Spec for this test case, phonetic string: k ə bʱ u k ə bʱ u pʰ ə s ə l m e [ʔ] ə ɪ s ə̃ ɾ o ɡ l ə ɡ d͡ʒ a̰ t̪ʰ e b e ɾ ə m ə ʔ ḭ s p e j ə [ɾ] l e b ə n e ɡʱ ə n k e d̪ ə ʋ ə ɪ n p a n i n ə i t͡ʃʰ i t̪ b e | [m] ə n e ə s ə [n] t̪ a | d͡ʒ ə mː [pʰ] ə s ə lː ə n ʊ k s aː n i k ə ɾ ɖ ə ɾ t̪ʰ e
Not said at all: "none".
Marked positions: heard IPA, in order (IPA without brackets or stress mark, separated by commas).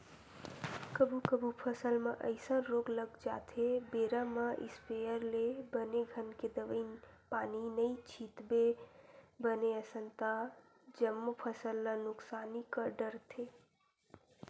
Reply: ʔ, ɾ, b, n, pʰ